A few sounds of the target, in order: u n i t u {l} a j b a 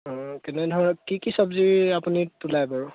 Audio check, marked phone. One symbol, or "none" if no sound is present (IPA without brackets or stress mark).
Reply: l